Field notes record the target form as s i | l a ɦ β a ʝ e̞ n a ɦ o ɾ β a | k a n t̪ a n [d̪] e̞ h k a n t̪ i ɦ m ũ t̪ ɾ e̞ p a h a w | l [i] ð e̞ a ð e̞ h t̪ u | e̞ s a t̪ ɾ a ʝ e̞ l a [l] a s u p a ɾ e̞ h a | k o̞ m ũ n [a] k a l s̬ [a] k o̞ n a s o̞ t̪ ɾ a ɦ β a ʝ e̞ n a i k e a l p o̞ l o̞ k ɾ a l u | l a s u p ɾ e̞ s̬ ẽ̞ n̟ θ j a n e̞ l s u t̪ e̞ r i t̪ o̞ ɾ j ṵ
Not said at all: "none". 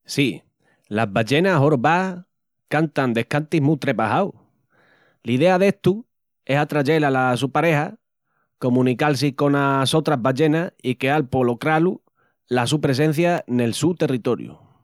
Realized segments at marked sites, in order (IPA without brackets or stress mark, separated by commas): d̪, i, l, i, i